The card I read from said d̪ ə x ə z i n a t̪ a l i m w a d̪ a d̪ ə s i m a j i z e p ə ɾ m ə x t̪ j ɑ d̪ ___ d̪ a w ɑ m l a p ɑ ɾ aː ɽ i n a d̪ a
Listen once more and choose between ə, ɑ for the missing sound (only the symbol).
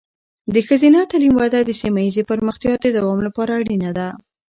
ə